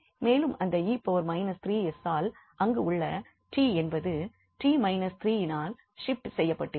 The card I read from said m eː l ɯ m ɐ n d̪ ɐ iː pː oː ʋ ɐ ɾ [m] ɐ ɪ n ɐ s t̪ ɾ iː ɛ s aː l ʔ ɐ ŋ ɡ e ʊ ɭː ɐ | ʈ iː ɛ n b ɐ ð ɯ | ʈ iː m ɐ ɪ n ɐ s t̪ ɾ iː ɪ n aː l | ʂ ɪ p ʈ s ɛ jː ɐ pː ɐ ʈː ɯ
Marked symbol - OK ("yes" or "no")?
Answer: yes